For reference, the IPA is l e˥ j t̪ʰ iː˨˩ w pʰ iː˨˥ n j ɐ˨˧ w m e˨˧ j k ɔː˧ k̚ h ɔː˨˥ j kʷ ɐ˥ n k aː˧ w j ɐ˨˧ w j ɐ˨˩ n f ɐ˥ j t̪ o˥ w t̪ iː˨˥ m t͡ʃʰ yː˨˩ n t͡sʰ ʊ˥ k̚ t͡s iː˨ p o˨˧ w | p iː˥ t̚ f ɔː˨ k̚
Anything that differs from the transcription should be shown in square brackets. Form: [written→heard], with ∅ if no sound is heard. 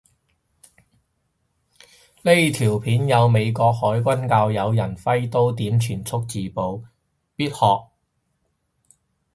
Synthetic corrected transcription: l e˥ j t̪ʰ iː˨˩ w pʰ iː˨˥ n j ɐ˨˧ w m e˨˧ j k ɔː˧ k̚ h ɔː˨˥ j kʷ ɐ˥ n k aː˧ w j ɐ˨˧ w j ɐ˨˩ n f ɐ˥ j t̪ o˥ w t̪ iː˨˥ m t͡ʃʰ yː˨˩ n t͡sʰ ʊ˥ k̚ t͡s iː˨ p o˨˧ w | p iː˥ t̚ [f→h] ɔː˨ k̚